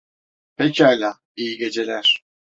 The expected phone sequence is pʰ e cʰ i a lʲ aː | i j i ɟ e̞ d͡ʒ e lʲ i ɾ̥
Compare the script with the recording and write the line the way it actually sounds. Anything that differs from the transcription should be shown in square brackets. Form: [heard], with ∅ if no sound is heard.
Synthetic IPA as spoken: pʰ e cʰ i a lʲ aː | i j i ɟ e̞ d͡ʒ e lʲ [æ] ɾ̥